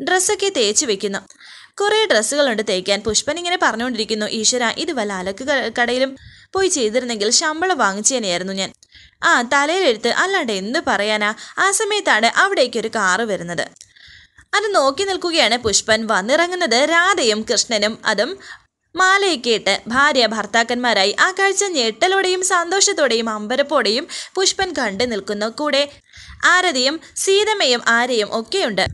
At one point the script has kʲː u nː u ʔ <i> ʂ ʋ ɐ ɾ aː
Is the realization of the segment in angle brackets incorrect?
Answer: yes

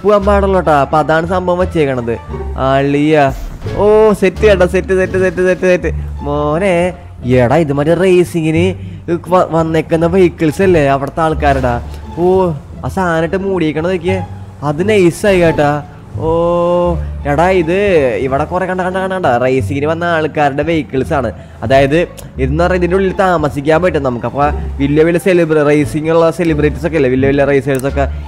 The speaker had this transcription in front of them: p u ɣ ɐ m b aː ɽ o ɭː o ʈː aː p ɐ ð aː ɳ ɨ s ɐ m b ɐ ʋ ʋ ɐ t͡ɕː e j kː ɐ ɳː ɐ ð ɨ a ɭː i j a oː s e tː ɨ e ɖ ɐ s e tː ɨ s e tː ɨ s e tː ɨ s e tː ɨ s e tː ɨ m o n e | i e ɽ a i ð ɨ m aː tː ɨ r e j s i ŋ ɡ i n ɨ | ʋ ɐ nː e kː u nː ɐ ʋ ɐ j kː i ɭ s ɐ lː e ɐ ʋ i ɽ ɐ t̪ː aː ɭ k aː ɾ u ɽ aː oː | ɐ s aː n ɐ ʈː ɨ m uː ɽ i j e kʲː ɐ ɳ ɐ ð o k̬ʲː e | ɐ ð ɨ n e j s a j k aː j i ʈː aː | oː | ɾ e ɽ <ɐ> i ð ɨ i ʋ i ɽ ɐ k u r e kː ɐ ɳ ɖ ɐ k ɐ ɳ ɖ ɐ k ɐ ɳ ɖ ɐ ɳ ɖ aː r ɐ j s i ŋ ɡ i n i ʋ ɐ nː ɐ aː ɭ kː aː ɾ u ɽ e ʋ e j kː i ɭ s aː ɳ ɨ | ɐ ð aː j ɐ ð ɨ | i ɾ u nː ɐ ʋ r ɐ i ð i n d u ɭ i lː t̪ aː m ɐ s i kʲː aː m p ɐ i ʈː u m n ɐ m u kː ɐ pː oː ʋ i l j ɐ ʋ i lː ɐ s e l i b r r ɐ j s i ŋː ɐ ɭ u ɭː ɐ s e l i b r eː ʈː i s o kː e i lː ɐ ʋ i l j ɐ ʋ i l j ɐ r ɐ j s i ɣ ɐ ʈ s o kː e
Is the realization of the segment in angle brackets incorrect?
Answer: yes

